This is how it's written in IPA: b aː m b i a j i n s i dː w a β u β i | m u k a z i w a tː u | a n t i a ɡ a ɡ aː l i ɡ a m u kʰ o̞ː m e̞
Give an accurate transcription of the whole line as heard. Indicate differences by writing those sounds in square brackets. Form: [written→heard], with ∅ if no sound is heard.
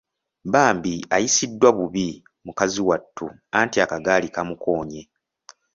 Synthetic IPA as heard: b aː m b i a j i [n→∅] s i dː w a β u β i | m u k a z i w a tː u | a n t i a [ɡ→k] a ɡ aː l i [ɡ→k] a m u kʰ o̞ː [m→ɲ] e̞